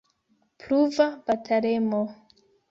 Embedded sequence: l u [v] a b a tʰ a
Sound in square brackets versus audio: correct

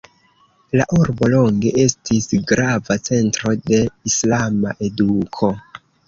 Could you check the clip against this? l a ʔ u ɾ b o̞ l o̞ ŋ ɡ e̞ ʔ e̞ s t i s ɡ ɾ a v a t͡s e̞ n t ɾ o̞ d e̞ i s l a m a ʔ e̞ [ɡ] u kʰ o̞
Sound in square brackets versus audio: incorrect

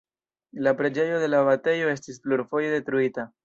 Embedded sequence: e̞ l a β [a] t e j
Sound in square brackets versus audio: correct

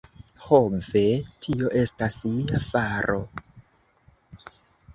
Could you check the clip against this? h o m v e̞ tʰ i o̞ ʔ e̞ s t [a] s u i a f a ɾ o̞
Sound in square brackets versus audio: correct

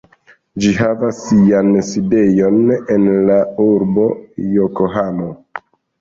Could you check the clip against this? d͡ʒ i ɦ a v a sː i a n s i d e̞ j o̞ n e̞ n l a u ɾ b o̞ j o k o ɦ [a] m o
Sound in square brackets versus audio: correct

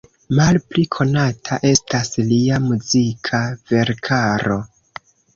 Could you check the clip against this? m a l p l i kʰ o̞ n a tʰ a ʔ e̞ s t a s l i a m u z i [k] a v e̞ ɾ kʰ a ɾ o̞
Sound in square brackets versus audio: incorrect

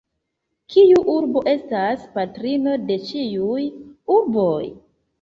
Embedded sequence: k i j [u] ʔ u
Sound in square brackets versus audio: correct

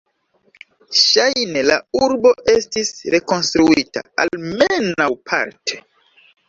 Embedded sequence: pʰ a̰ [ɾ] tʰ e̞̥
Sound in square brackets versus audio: correct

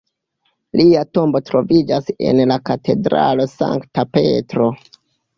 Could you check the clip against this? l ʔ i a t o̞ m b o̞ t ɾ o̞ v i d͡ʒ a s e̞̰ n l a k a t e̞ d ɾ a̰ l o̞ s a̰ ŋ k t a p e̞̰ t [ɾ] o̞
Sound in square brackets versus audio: correct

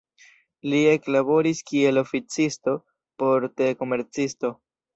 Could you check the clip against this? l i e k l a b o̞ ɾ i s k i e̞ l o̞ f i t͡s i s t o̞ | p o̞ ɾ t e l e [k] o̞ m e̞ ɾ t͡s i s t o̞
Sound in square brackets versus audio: correct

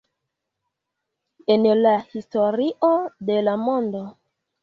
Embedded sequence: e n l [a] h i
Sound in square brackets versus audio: correct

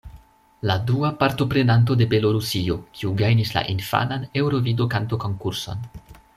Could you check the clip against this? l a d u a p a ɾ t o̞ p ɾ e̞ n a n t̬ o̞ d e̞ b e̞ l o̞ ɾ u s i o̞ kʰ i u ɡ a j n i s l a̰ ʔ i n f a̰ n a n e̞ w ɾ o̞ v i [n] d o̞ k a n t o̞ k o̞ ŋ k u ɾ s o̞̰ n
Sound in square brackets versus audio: incorrect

